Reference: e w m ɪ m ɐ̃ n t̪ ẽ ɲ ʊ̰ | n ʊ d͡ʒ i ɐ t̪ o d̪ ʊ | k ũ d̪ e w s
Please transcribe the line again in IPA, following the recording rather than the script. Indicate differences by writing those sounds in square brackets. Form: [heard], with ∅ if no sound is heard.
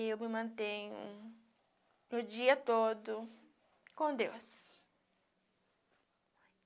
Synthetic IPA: e w m ɪ m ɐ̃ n t̪ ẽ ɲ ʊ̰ | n ʊ d͡ʒ i ɐ t̪ o d̪ ʊ | k [õ] d̪ e w s